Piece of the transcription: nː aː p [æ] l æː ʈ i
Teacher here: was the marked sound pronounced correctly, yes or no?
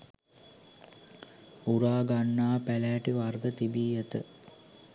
yes